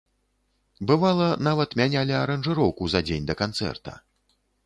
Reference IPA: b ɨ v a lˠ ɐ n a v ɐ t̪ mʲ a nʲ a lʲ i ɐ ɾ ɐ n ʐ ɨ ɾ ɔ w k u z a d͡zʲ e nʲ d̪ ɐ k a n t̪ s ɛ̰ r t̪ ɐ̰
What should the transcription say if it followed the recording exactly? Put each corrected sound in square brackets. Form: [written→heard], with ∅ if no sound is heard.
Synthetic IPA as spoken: b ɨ v a lˠ ɐ n a v ɐ t̪ mʲ a nʲ a lʲ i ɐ ɾ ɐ n ʐ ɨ ɾ ɔ w k u z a d͡zʲ e nʲ d̪ ɐ k a n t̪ s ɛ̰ r t̪ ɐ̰